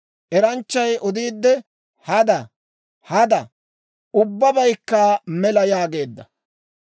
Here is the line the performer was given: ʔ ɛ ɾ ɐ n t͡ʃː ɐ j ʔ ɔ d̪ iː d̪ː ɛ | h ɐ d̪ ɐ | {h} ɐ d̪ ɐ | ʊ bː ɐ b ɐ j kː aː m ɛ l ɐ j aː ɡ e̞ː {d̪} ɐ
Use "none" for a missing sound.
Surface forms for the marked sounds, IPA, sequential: h, d̪ː

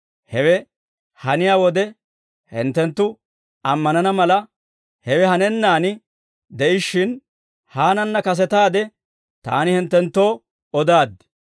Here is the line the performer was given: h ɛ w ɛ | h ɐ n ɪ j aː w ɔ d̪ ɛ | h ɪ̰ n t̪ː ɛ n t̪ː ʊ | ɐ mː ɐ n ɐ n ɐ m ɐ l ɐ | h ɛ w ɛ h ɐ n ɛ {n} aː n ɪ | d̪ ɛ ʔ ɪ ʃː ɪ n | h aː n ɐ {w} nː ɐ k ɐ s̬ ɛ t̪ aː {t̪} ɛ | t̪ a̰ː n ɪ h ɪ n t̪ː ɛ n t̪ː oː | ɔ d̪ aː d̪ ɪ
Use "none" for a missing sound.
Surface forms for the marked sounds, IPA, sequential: nː, none, d̪

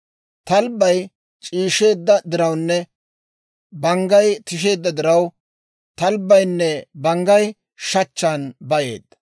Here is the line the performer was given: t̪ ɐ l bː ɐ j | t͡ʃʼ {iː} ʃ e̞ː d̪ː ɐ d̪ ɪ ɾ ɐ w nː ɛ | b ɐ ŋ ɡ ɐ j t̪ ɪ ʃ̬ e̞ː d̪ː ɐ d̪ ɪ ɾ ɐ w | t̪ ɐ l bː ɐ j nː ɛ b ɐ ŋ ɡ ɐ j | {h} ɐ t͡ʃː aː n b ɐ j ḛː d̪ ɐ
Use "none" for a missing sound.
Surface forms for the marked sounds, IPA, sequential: iː, ʃ

